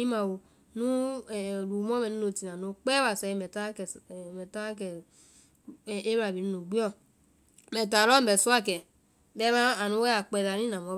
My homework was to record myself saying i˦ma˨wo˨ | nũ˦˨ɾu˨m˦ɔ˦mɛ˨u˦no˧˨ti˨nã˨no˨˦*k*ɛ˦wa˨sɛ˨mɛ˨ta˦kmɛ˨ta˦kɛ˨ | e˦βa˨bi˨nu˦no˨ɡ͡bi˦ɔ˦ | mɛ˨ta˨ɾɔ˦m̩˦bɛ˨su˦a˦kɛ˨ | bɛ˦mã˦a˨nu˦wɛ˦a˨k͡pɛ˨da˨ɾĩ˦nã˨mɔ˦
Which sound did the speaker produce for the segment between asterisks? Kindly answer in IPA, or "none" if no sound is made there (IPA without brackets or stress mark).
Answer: k͡p